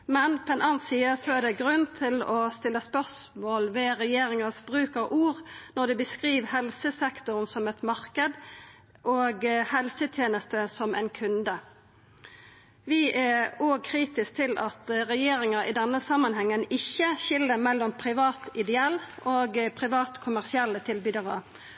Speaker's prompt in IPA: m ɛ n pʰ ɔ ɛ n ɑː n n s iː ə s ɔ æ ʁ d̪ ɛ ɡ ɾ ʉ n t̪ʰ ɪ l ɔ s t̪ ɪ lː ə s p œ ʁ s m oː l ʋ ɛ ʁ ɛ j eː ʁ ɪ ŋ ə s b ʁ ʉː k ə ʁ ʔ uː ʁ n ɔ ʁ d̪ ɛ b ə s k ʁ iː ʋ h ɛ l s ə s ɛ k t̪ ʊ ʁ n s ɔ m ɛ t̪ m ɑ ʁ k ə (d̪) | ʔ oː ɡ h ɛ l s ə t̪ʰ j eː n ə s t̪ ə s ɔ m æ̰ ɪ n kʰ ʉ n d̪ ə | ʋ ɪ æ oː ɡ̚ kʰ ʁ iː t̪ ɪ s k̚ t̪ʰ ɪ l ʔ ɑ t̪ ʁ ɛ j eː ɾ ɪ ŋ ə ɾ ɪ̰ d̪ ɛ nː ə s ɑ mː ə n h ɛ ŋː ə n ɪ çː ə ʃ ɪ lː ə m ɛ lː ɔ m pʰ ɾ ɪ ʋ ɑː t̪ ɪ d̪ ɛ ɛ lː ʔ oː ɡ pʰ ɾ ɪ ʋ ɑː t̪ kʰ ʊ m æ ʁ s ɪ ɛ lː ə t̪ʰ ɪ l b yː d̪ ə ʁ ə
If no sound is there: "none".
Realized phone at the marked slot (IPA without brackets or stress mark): d̪